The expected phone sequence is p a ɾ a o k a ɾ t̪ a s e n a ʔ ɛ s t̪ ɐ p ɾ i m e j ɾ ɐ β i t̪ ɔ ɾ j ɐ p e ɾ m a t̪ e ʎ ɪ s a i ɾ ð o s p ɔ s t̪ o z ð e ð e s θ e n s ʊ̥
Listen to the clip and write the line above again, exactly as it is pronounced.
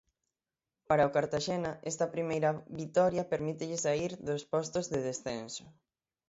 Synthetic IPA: p a ɾ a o k a ɾ t̪ a ʃ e n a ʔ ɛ s t̪ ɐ p ɾ i m e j ɾ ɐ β i t̪ ɔ ɾ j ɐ p e ɾ m i t̪ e ʎ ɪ s a i ɾ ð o s p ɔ s t̪ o z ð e ð e s θ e n s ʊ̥